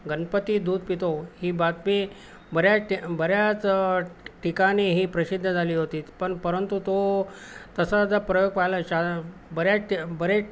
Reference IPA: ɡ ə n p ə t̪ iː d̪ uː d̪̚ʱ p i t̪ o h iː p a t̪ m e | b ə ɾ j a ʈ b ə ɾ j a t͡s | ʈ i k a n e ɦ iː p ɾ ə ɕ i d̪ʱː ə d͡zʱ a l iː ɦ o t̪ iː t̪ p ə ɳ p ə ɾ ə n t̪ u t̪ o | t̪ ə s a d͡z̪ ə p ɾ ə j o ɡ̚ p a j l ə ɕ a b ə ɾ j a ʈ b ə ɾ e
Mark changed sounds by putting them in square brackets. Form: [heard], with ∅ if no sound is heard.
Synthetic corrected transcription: ɡ ə n p ə t̪ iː d̪ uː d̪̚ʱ p i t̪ o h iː [b] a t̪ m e | b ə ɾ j a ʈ b ə ɾ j a t͡s | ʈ i k a n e ɦ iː p ɾ ə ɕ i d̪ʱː ə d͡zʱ a l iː ɦ o t̪ iː t̪ p ə ɳ p ə ɾ ə n t̪ u t̪ o | t̪ ə s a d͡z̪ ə p ɾ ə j o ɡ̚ p a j l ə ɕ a b ə ɾ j a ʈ b ə ɾ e